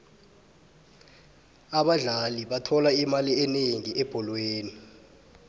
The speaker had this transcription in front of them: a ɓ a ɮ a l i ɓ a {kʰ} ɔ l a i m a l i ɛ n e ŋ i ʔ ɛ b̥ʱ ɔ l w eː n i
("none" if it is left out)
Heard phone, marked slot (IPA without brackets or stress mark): tʰ